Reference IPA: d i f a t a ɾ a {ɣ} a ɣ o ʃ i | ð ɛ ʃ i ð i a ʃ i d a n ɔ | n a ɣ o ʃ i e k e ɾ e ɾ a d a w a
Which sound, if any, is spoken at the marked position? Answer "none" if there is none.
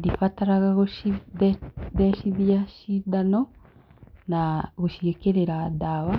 ɣ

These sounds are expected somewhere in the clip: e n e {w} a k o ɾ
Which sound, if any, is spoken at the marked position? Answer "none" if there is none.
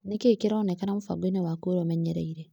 w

